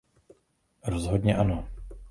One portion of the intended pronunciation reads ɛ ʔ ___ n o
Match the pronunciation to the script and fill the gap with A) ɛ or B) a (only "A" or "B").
B